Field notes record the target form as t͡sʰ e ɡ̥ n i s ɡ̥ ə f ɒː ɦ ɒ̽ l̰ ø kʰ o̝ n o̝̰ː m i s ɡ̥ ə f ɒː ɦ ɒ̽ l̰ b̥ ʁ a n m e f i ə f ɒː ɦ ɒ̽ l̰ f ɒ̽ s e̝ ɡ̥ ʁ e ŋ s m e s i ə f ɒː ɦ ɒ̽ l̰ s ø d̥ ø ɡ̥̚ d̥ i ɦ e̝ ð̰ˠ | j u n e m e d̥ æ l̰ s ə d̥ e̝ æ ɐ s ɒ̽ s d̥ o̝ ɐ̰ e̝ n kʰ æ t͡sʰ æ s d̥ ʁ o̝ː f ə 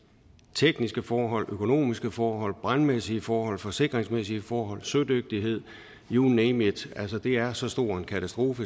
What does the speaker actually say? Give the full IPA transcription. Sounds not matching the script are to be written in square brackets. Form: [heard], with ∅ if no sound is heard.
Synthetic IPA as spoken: t͡sʰ e ɡ̥ n i s ɡ̥ ə f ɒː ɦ ɒ̽ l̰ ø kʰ o̝ n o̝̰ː m i s ɡ̥ ə f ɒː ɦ ɒ̽ l̰ b̥ ʁ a n m e [s] i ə f ɒː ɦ ɒ̽ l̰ f ɒ̽ s e̝ ɡ̥ ʁ e ŋ s m e s i ə f ɒː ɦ ɒ̽ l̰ s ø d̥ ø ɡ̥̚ d̥ i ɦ e̝ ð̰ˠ | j u n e m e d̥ æ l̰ s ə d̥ e̝ æ ɐ s ɒ̽ s d̥ o̝ ɐ̰ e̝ n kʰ æ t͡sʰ æ s d̥ ʁ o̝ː f ə